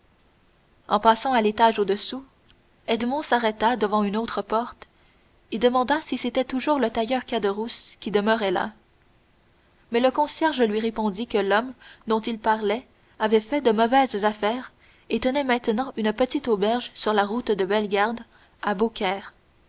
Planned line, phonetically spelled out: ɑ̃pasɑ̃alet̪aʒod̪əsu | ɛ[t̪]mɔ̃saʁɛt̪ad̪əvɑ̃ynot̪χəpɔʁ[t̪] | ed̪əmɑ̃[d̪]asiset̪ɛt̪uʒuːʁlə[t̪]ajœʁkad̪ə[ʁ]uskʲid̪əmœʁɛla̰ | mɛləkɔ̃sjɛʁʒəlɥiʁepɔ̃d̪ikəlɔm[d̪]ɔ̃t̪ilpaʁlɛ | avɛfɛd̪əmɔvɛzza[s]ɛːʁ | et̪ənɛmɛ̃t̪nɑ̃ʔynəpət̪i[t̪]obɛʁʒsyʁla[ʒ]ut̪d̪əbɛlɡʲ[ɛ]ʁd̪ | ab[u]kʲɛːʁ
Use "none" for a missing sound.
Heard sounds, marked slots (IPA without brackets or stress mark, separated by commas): d̪, t̪, d̪, t̪, ʁ, d̪, f, t̪, ʁ, a, o